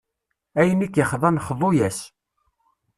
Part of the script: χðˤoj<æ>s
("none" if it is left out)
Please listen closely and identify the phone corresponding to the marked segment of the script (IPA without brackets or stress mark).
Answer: æ